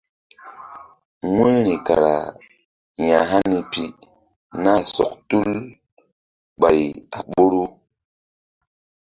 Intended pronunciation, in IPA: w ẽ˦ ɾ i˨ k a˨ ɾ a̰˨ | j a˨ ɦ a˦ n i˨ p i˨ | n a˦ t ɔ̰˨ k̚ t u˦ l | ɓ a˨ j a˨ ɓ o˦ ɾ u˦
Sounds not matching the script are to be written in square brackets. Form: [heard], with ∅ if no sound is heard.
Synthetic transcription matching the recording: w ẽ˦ ɾ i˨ k a˨ ɾ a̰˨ | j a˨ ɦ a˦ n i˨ p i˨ | n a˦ [s] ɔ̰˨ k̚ t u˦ l | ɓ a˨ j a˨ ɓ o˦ ɾ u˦